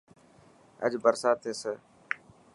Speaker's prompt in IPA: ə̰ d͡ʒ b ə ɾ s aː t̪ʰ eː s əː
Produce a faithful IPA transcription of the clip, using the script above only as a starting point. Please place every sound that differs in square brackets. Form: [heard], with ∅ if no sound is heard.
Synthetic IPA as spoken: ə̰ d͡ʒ b ə ɾ s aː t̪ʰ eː s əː